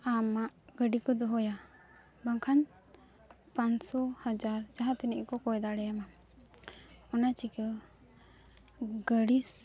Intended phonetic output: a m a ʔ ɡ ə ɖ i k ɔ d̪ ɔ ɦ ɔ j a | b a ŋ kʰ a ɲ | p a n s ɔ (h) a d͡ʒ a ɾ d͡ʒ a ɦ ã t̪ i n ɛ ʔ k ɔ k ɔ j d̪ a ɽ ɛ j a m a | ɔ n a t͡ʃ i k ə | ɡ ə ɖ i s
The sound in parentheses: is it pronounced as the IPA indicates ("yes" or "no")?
yes